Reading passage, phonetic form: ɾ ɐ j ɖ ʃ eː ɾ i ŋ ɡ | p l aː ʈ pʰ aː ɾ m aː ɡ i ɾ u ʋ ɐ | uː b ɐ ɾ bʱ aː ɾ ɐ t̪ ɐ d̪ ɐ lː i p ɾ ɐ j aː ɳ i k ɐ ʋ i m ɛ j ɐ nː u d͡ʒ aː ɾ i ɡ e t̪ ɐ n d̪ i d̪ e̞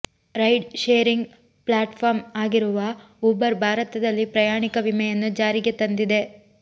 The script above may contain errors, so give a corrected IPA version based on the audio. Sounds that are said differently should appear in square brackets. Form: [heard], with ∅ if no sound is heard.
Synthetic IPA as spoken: ɾ ɐ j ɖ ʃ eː ɾ i ŋ ɡ | p l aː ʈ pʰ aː ɾ m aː ɡ i ɾ u ʋ ɐ | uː b ɐ ɾ bʱ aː ɾ ɐ t̪ ɐ d̪ ɐ lː i p ɾ ɐ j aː ɳ i k ɐ ʋ i m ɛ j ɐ nː u d͡ʒ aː ɾ i ɡ e t̪ ɐ n d̪ i d̪ e̞

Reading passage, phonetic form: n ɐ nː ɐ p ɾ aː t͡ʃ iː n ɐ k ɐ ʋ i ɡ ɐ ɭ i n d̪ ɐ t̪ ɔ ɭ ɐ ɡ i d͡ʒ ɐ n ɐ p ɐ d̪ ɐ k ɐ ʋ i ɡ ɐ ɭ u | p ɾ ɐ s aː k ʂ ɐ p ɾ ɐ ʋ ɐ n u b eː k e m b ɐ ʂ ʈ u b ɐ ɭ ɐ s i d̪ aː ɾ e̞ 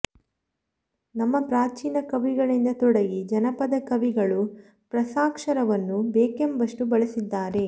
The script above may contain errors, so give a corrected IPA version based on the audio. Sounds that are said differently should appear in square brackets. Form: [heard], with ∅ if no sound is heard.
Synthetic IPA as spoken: n ɐ [mː] ɐ p ɾ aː t͡ʃ iː n ɐ k ɐ ʋ i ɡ ɐ ɭ i n d̪ ɐ t̪ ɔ [ɽ] ɐ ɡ i d͡ʒ ɐ n ɐ p ɐ d̪ ɐ k ɐ ʋ i ɡ ɐ ɭ u | p ɾ ɐ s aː k ʂ ɐ [∅] ɾ ɐ ʋ ɐ [nː] u b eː k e m b ɐ ʂ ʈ u b ɐ ɭ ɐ s i [d̪ː] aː ɾ e̞

